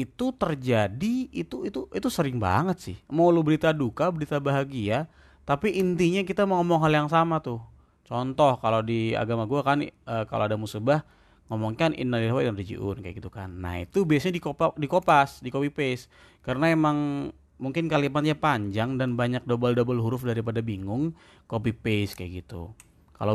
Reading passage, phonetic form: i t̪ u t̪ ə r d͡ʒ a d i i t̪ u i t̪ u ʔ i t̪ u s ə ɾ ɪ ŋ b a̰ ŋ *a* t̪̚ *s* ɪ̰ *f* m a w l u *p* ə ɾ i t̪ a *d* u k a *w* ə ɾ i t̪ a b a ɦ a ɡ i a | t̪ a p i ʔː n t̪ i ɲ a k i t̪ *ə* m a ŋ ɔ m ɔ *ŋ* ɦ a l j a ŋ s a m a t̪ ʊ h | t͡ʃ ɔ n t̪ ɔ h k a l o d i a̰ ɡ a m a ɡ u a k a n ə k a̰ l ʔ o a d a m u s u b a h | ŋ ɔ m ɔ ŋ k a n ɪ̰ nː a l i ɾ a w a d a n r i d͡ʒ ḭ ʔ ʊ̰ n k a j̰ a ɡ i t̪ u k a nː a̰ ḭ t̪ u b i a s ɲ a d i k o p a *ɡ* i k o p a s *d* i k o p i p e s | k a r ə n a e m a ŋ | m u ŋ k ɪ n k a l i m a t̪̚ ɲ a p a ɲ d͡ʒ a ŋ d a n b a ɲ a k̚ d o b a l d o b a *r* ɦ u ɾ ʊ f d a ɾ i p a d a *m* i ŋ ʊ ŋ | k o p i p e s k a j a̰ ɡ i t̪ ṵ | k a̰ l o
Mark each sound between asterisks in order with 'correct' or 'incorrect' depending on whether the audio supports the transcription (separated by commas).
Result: incorrect, correct, incorrect, incorrect, correct, incorrect, incorrect, correct, incorrect, correct, incorrect, incorrect